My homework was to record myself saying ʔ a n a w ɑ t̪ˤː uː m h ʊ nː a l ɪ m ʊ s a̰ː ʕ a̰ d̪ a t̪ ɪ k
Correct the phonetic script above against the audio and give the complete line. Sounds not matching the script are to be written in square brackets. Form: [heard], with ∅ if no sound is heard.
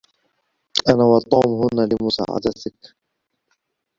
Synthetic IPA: ʔ a n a w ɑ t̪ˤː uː m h ʊ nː a l ɪ m ʊ s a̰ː ʕ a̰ d̪ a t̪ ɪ k

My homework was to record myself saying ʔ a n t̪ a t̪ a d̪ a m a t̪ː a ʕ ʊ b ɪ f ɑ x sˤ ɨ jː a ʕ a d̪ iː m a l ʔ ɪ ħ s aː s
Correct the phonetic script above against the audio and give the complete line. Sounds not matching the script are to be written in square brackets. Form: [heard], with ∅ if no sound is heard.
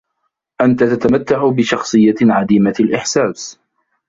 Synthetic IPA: ʔ a n t̪ a t̪ a [t̪] a m a t̪ː a ʕ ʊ b ɪ [ʃ] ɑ x sˤ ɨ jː a ʕ a d̪ iː m a l ʔ ɪ ħ s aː s

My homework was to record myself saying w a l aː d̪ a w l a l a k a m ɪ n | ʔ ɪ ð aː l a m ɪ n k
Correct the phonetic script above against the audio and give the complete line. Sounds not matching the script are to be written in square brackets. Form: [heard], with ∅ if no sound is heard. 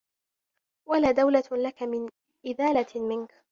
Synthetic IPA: w a l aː d̪ a w l a l a k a m ɪ n | ʔ ɪ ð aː l a m ɪ n k

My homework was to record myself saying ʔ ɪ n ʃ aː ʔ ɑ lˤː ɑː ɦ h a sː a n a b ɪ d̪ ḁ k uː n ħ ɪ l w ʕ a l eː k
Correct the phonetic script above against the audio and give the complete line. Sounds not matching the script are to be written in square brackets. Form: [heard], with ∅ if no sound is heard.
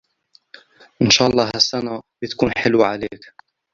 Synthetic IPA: ʔ ɪ n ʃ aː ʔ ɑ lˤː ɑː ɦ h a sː a n a b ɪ [t̪] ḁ k uː n ħ ɪ l w ʕ a l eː k

